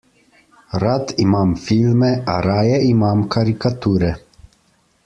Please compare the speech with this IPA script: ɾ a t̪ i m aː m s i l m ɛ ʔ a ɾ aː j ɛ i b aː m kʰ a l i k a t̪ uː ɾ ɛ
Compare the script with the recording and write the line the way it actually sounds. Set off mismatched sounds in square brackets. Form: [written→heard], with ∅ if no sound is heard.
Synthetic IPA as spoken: ɾ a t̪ i m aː m [s→f] i l m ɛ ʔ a ɾ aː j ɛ i [b→m] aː m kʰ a [l→ɾ] i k a t̪ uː ɾ ɛ